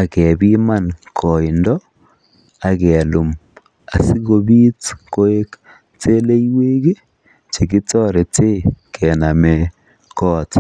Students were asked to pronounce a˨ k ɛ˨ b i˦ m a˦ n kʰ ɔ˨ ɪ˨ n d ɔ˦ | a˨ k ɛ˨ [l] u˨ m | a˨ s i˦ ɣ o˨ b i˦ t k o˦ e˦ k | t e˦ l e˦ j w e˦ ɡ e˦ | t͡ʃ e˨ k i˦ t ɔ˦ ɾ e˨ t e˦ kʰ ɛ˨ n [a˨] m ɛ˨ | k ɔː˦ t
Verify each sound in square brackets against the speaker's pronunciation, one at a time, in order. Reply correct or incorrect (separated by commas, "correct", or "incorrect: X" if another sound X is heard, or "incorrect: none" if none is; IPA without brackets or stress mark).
correct, correct